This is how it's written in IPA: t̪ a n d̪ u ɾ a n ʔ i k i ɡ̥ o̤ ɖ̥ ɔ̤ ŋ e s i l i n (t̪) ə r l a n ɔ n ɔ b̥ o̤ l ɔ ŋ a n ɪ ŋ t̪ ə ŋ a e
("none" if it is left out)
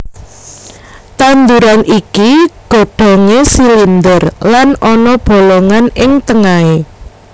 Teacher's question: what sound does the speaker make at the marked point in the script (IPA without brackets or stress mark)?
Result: d̪